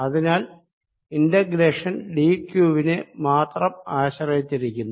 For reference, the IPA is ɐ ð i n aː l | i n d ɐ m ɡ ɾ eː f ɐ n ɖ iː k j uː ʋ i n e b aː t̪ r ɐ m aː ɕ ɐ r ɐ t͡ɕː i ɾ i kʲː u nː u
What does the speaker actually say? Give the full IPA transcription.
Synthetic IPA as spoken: ɐ ð i n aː l | i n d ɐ ɡ ɾ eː ʂ ɐ n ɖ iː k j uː ʋ i n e m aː t̪ r ɐ m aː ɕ ɐ r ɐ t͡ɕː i ɾ i kʲː u nː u